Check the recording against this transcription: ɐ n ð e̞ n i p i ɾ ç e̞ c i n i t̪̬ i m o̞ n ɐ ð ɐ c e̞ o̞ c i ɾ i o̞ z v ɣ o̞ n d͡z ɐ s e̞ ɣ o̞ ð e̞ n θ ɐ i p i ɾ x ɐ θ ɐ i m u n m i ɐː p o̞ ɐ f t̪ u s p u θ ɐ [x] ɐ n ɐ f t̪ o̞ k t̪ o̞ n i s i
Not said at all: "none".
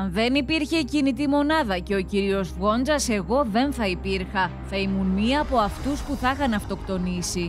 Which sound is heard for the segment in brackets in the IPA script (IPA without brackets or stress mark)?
x